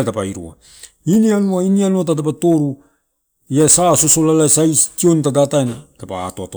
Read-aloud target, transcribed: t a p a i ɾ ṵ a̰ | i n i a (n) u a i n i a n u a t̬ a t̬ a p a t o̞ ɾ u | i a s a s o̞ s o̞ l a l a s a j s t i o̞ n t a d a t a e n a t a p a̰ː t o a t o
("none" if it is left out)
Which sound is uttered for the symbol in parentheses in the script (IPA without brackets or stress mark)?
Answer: n